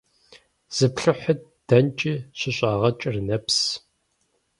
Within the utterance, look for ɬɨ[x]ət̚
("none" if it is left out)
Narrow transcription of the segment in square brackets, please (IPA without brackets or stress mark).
ħ